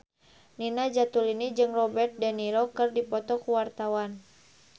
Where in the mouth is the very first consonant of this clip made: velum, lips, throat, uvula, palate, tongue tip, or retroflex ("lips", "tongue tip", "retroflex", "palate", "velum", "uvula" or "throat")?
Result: tongue tip